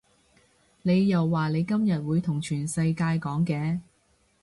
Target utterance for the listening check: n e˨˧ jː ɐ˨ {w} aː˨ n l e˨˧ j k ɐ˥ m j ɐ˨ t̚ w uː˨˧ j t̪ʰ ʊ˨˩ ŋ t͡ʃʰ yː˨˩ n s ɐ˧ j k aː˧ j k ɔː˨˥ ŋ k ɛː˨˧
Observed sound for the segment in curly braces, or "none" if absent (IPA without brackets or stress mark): wː